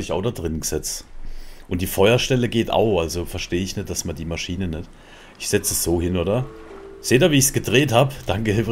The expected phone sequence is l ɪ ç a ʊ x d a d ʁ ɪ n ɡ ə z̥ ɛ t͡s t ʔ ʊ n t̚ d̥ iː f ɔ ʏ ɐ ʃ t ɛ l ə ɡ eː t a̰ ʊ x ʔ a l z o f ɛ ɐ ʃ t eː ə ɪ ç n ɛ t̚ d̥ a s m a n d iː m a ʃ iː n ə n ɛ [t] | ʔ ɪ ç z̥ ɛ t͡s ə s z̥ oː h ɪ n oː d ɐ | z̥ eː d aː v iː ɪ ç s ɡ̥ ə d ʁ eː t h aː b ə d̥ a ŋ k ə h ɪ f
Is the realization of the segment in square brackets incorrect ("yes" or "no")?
no